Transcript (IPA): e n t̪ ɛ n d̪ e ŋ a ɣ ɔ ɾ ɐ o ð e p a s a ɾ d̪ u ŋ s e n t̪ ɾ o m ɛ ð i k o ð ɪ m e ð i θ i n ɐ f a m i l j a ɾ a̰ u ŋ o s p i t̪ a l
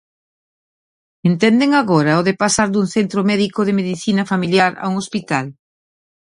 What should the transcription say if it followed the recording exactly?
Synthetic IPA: e n t̪ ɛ n d̪ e ŋ a ɣ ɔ ɾ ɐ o ð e p a s a ɾ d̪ u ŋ θ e n t̪ ɾ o m ɛ ð i k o ð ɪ m e ð i θ i n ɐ f a m i l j a ɾ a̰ u ŋ o s p i t̪ a l